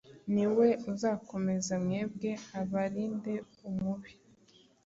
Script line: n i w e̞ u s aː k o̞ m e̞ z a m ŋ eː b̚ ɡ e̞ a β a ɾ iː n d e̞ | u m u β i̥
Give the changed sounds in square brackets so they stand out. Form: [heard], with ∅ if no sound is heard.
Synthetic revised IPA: n i w e̞ u [z] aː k o̞ m e̞ z a m ŋ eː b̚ ɡ e̞ a β a ɾ iː n d e̞ | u m u β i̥